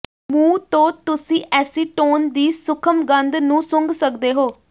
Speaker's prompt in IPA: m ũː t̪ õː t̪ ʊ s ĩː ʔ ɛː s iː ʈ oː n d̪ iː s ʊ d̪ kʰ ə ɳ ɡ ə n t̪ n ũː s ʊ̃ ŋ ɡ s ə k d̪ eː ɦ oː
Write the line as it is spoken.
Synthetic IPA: m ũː t̪ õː t̪ ʊ s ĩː ʔ ɛː s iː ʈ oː n d̪ iː s ʊ kʰ ə m ɡ ə n d̪ n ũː s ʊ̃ ŋ ɡ s ə k d̪ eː ɦ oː